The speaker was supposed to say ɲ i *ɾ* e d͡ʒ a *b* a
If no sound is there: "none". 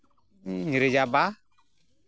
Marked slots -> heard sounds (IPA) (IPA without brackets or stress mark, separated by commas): ɾ, b